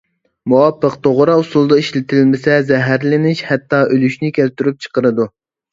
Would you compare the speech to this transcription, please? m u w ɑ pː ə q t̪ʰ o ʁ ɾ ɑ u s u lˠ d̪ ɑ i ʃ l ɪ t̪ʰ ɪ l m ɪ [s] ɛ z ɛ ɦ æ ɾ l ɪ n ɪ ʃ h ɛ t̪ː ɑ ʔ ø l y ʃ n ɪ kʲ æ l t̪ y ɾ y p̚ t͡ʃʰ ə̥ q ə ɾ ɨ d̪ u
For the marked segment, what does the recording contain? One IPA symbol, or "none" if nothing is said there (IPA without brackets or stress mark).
s